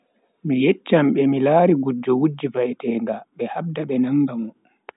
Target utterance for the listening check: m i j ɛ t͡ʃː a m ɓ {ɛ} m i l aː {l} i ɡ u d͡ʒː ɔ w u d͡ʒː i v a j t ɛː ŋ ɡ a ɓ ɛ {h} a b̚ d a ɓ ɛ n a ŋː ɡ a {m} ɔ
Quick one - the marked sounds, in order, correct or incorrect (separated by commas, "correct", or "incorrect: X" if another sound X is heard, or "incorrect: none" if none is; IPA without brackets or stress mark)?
correct, incorrect: ɾ, correct, correct